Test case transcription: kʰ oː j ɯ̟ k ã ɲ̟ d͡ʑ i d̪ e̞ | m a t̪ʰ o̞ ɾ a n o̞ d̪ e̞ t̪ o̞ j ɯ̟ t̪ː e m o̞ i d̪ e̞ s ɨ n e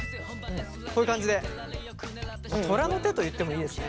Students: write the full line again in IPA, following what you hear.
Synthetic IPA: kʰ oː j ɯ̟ k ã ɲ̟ d͡ʑ i d̪ e̞ | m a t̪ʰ o̞ ɾ a n o̞ t̪ e̞ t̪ o̞ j ɯ̟ t̪ː e m o̞ iː d̪ e̞ s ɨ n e